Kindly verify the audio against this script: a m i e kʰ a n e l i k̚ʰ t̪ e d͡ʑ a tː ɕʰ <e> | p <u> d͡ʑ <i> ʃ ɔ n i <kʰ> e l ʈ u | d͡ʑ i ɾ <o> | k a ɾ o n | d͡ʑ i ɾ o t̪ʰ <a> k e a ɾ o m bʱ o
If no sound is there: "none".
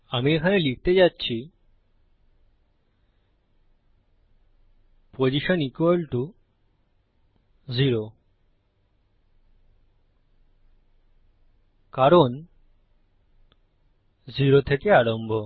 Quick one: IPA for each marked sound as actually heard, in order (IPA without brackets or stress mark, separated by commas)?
i, o, i, k, o, e